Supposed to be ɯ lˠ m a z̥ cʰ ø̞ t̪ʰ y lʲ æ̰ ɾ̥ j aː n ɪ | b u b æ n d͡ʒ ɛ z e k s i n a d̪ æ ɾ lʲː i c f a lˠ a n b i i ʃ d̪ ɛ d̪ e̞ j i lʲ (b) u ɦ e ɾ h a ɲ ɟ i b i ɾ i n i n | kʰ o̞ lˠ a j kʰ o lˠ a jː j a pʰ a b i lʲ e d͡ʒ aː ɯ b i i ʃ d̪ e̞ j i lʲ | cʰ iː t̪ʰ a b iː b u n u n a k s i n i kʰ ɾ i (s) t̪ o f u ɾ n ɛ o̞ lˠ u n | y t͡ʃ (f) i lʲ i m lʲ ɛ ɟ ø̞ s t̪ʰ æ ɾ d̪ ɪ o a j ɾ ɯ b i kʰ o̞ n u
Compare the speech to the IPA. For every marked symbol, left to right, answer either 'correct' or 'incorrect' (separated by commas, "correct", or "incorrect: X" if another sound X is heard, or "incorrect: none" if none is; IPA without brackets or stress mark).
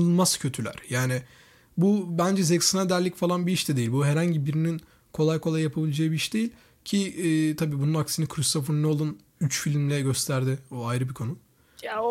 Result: correct, correct, correct